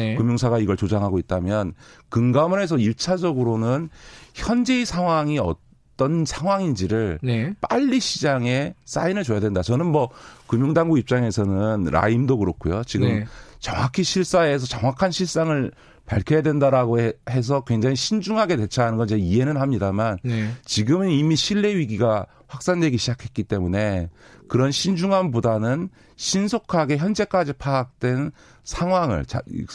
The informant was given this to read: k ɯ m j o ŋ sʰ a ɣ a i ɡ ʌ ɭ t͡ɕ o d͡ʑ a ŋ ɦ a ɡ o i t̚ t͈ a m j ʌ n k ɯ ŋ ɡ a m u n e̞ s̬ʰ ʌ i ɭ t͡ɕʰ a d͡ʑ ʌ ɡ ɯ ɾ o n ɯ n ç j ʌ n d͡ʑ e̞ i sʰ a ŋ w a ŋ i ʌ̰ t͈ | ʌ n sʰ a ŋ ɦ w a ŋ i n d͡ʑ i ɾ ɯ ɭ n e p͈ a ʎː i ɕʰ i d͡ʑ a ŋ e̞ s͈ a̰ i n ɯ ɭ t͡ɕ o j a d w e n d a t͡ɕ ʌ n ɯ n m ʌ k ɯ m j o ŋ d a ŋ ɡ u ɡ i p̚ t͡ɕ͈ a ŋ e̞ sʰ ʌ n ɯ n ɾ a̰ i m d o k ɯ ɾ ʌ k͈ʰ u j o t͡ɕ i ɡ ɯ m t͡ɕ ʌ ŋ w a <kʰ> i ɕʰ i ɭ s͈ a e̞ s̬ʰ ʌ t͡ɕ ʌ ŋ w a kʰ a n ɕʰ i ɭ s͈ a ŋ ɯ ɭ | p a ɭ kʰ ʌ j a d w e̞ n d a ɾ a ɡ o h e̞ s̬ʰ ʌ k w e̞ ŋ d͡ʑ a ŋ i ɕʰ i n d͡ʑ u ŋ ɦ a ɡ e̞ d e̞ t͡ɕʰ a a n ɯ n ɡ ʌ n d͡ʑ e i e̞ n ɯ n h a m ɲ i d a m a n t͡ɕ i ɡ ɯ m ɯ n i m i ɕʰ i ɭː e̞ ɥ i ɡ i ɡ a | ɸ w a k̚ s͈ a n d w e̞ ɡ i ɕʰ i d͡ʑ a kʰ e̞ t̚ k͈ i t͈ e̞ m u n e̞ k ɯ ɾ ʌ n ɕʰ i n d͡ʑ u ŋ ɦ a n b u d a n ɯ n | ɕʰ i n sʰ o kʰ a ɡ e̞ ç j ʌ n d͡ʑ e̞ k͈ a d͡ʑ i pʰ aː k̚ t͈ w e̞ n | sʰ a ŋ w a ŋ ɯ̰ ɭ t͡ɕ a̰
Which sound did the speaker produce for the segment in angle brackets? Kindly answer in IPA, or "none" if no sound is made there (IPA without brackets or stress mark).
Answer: kʰ